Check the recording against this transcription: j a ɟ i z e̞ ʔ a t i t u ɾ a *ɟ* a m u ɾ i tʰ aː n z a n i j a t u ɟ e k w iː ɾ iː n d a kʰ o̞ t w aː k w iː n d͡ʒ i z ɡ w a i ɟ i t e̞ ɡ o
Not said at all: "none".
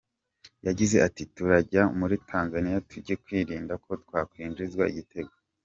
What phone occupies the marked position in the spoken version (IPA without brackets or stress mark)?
ɟ